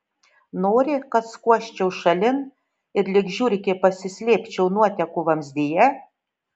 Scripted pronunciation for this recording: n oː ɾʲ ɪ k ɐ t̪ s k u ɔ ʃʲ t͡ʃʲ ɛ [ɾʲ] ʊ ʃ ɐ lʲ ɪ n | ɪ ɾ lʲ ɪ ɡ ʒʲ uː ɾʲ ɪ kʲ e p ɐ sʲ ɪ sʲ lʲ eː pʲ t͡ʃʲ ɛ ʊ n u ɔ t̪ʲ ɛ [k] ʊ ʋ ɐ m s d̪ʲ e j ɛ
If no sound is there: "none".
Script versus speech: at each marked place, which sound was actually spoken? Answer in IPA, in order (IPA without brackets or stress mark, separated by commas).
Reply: none, k